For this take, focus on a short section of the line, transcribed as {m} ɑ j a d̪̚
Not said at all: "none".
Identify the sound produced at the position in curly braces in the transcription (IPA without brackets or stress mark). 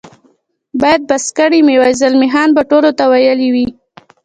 b